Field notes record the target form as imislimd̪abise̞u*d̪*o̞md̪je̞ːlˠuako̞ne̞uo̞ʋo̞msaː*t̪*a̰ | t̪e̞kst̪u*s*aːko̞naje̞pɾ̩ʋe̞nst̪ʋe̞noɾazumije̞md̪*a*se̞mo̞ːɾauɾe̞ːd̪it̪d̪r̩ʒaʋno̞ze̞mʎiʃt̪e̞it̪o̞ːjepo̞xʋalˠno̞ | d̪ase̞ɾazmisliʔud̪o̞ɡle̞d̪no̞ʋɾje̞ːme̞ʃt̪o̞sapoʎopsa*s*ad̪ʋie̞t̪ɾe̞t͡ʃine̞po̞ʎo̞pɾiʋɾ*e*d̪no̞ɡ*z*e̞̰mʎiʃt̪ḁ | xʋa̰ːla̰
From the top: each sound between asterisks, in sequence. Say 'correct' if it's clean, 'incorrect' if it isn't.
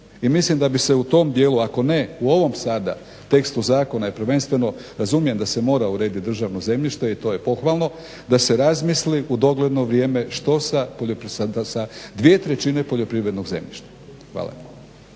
incorrect, incorrect, incorrect, correct, correct, correct, correct

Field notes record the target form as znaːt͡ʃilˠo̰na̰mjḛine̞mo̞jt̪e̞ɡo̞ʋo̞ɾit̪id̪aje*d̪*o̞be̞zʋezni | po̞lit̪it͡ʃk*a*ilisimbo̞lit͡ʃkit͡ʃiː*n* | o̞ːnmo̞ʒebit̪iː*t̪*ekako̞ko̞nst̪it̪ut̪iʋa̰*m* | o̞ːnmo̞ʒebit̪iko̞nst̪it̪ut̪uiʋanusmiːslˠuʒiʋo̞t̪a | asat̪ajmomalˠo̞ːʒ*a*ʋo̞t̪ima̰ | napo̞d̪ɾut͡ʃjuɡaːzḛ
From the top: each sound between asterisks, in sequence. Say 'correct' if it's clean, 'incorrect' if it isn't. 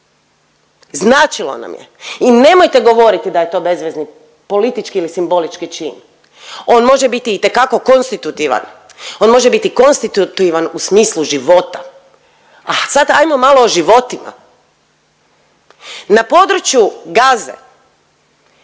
incorrect, incorrect, correct, correct, incorrect, incorrect

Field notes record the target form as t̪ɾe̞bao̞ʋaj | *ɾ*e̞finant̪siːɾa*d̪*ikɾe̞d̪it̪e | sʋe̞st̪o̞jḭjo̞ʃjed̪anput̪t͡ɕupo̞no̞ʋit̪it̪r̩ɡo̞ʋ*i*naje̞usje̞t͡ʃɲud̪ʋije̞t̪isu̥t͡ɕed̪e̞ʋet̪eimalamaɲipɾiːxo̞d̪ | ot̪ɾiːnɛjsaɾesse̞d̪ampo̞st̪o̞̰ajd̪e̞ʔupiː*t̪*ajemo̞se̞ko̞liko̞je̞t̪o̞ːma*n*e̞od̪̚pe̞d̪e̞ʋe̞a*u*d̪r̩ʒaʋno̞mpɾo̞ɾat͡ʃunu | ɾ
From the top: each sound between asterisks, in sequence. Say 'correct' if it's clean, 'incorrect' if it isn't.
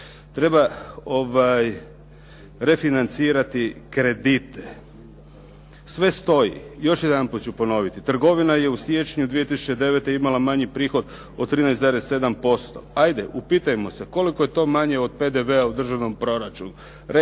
correct, incorrect, correct, correct, incorrect, correct

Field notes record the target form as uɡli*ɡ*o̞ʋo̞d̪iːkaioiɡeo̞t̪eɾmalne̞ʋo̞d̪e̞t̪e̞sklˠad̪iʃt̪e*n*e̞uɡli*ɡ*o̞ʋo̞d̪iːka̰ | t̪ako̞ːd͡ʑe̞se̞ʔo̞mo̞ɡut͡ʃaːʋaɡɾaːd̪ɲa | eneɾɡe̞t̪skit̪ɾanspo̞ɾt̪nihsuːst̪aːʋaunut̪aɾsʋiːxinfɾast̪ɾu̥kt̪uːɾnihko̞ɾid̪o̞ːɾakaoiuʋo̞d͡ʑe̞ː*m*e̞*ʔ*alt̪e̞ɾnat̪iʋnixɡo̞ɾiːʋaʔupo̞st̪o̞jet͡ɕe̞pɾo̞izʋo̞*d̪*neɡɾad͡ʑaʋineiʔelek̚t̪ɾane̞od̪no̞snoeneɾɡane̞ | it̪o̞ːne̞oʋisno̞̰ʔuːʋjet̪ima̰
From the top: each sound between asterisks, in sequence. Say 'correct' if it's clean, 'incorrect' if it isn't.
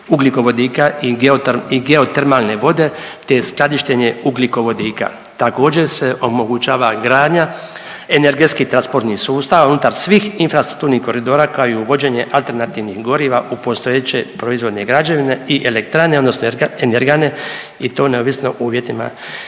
incorrect, incorrect, incorrect, incorrect, correct, correct

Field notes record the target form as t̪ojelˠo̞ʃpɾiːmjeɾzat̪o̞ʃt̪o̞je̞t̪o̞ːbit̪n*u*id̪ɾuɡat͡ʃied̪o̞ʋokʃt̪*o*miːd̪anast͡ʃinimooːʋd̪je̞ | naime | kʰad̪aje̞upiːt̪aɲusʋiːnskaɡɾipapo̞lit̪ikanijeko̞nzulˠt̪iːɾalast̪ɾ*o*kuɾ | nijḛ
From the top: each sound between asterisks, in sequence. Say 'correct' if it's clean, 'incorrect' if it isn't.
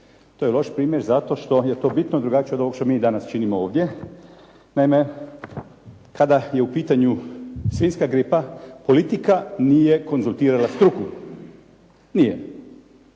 incorrect, correct, incorrect

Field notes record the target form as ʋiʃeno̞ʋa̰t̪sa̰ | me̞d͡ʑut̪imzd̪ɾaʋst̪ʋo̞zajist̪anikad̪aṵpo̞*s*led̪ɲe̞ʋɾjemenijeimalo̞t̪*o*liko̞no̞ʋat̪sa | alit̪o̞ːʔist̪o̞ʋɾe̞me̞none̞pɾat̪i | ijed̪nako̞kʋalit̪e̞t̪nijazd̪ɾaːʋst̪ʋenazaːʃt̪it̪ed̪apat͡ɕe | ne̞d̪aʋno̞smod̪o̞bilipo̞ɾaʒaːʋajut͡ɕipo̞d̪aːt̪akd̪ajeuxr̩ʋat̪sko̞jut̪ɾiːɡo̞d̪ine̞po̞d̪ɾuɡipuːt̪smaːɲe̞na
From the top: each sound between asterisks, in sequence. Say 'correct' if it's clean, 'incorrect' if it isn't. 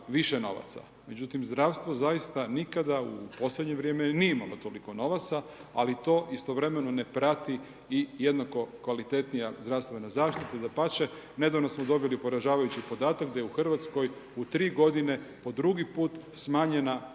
correct, correct

